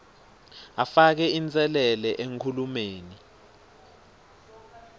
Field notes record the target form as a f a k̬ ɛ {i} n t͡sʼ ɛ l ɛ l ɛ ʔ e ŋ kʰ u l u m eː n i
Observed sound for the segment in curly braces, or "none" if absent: i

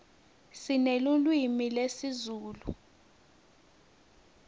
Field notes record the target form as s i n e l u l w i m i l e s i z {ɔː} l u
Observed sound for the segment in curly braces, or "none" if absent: uː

